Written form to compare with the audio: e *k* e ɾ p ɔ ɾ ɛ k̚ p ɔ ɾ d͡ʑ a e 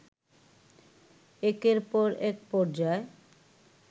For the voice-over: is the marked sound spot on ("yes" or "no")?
yes